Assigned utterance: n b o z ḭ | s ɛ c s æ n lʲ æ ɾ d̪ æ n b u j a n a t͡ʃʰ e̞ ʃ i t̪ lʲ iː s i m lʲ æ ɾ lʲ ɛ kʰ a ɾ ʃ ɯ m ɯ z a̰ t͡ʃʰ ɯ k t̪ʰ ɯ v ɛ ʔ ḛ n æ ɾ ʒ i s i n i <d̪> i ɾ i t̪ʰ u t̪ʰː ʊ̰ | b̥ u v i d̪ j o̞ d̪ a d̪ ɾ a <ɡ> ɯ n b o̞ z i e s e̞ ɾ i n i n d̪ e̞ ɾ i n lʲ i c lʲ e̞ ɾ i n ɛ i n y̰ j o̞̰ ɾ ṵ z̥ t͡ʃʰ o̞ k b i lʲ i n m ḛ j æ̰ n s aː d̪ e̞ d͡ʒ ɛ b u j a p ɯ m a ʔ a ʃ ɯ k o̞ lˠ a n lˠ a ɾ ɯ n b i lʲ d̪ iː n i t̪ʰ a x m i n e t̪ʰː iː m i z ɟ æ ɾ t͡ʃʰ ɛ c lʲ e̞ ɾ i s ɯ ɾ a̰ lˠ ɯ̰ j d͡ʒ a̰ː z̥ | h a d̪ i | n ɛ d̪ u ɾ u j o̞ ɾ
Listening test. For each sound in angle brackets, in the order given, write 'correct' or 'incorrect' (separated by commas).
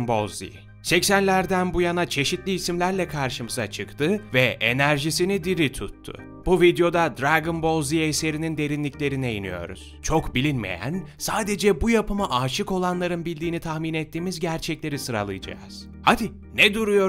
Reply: correct, correct